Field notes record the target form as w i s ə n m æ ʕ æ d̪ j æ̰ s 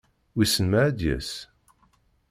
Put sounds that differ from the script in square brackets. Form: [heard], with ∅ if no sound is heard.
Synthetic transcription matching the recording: w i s ə n m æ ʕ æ d̪ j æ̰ s